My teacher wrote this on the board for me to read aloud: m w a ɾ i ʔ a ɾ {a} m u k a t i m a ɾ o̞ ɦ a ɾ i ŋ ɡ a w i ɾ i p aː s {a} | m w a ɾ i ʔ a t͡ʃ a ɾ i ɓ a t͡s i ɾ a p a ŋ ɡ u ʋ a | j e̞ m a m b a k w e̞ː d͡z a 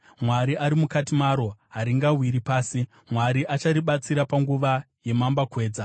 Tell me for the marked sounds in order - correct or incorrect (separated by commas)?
incorrect, incorrect